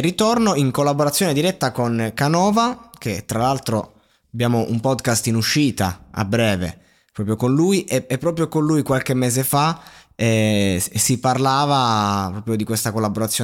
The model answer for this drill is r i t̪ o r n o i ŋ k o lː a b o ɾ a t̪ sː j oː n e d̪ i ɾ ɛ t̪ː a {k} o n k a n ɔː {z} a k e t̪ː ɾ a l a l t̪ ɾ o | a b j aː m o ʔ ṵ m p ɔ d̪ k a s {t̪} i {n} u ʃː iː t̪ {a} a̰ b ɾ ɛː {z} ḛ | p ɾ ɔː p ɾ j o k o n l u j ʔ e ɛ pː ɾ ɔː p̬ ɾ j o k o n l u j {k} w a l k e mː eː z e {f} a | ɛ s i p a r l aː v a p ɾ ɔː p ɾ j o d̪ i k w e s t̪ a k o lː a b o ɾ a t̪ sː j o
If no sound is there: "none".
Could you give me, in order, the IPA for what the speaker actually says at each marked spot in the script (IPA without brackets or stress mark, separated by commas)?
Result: k, v, t̪, n, a, v, k, f